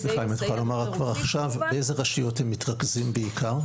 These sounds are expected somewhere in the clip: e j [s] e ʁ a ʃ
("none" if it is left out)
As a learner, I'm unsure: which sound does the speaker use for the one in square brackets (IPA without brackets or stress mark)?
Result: z